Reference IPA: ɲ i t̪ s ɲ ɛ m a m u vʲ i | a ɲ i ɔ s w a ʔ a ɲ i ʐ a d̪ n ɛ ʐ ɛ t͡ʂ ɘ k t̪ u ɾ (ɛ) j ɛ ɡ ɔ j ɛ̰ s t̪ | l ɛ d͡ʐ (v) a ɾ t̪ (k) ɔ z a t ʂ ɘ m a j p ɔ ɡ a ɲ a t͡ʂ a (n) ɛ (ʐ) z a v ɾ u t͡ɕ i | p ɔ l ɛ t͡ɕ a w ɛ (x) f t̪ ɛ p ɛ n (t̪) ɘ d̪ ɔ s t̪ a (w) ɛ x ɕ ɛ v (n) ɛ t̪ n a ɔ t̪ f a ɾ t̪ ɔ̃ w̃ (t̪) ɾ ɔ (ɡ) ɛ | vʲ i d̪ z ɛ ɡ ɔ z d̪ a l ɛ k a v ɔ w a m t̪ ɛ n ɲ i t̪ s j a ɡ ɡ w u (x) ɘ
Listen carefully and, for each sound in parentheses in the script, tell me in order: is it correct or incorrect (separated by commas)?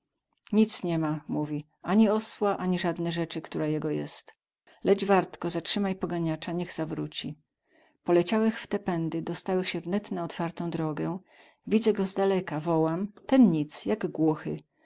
incorrect, correct, correct, incorrect, incorrect, correct, incorrect, correct, correct, incorrect, correct, correct